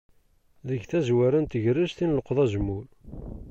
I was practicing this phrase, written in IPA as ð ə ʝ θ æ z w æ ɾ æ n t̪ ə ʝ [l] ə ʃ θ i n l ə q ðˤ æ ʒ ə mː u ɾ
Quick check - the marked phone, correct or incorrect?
incorrect